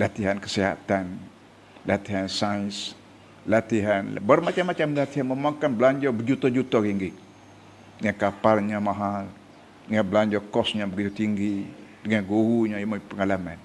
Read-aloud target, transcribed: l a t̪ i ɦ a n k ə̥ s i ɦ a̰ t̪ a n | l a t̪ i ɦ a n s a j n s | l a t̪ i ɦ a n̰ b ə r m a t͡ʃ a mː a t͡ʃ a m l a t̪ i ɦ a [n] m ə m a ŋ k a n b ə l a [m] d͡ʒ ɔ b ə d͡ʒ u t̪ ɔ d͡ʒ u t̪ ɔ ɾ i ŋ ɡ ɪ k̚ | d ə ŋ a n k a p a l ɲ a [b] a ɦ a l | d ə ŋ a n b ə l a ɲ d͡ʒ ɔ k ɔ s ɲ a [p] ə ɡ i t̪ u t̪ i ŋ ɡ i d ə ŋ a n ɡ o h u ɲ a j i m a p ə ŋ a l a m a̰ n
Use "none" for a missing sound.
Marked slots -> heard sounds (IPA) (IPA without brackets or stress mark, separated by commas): n, ɲ, m, b